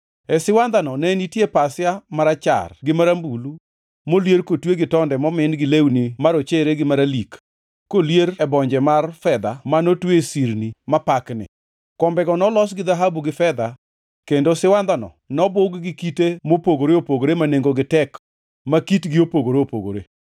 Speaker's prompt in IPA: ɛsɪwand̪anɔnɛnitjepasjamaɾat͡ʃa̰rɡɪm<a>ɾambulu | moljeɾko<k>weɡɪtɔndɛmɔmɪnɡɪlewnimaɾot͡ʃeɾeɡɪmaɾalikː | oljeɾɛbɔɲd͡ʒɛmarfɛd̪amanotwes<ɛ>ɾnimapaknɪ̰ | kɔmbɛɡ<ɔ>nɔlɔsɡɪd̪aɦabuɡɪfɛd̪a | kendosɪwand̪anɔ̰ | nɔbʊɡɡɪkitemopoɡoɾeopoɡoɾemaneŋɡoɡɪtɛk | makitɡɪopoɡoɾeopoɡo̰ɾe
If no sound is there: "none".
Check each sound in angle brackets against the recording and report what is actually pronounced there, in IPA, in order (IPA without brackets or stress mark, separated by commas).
a, t, i, ɔ